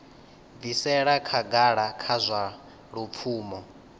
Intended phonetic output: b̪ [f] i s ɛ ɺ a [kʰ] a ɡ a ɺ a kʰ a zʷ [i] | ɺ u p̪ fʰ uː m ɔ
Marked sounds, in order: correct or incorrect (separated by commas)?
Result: incorrect, correct, incorrect